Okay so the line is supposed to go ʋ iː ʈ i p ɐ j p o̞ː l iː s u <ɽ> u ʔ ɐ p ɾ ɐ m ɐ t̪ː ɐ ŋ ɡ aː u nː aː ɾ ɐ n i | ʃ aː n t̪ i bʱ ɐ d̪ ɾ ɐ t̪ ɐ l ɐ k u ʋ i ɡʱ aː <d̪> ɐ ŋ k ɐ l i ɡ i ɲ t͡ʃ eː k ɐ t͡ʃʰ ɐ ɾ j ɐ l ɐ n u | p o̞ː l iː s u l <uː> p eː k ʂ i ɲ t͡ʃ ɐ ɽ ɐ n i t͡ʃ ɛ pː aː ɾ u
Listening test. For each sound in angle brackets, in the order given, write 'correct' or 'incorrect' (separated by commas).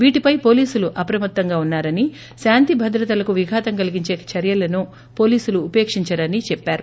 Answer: incorrect, incorrect, correct